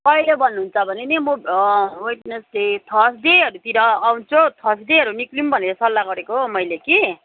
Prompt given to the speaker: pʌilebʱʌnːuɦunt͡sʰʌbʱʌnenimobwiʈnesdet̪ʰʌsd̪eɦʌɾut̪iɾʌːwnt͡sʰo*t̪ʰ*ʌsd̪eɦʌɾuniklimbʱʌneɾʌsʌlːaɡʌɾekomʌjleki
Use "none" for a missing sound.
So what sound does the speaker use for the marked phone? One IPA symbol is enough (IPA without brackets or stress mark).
t̪ʰ